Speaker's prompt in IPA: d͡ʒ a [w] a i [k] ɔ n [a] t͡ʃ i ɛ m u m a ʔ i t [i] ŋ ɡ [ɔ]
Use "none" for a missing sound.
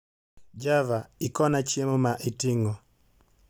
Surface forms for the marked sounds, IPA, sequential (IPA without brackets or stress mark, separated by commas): v, k, a, i, ɔ